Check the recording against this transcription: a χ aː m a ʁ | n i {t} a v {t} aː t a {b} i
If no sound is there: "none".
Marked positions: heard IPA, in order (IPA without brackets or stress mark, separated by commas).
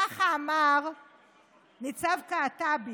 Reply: t͡s, k, b